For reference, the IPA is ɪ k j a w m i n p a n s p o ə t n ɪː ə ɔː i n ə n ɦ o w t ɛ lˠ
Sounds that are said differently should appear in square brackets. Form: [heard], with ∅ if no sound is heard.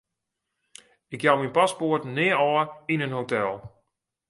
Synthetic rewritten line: ɪ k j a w m i n p a [∅] s p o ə t n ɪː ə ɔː i n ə n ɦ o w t ɛ lˠ